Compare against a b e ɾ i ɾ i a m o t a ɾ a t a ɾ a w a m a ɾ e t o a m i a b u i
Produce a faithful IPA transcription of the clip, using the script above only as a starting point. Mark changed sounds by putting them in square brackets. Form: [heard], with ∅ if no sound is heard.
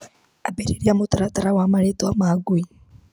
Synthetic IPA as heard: a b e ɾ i ɾ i a m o t a ɾ a t a ɾ a w a m a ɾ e t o a m [a] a [ɡ] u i